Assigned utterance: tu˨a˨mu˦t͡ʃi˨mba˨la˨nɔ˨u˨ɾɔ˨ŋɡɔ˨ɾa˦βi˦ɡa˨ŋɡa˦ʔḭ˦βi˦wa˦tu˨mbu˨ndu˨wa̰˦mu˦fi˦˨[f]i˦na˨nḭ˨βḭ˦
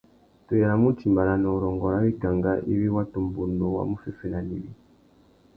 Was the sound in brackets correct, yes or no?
yes